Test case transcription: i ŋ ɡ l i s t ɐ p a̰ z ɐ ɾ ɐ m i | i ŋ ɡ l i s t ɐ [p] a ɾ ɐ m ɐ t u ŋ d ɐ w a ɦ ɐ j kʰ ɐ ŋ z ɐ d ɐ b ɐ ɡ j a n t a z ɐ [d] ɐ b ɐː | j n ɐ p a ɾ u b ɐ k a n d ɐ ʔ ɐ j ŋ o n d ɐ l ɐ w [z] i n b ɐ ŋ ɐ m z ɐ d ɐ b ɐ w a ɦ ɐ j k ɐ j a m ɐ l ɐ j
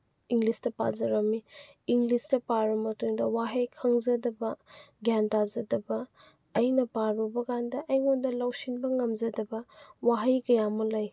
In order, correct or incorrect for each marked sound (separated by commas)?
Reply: correct, correct, incorrect